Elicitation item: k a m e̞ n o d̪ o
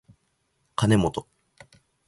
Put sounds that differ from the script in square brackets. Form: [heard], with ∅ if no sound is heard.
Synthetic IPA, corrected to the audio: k a [n] e̞ [m] o [t̪] o